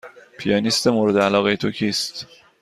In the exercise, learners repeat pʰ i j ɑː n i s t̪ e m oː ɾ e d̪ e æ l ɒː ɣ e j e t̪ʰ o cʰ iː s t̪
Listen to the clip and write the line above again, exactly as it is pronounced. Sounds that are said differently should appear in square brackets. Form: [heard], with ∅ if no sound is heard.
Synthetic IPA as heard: pʰ i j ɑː n i s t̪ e m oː ɾ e d̪ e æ l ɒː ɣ e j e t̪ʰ o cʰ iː s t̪